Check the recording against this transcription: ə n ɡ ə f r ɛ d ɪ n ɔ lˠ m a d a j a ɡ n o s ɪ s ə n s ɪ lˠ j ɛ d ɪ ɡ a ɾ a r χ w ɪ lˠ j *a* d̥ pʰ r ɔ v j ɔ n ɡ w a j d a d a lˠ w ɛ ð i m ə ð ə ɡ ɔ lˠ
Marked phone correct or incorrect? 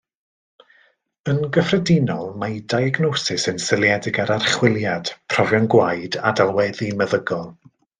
correct